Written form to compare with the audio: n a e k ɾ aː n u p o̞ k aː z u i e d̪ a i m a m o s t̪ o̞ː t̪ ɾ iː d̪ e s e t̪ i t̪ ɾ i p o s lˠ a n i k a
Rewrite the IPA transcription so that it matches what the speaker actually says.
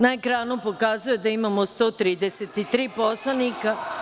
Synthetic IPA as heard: n a e k ɾ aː n u p o̞ k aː z u j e d̪ a i m a m o s t̪ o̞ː t̪ ɾ iː d̪ e s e t̪ i t̪ ɾ iː p o s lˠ a n i k a